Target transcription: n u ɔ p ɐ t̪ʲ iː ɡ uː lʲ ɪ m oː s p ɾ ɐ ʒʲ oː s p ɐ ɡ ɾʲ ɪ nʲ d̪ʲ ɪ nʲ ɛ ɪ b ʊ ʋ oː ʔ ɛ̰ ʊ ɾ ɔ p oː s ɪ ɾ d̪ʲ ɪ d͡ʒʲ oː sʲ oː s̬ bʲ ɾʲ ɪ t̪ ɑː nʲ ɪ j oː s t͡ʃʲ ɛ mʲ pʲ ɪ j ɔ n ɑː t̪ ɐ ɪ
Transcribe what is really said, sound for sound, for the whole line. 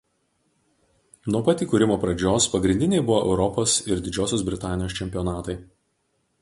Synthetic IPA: n u ɔ p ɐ t̪ʲ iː k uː ɾʲ ɪ m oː p ɾ ɐ d͡ʒʲ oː s p ɐ ɡ ɾʲ ɪ nʲ d̪ʲ ɪ nʲ ɛ ɪ b ʊ ʋ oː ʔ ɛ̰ ʊ ɾ ɔ p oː s ɪ ɾ d̪ʲ ɪ d͡ʒʲ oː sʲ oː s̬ bʲ ɾʲ ɪ t̪ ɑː nʲ ɪ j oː s t͡ʃʲ ɛ mʲ pʲ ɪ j ɔ n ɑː t̪ ɐ ɪ